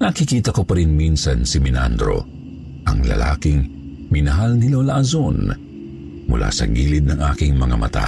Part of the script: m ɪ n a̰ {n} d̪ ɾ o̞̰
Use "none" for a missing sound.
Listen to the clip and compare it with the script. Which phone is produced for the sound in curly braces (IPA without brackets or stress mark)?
n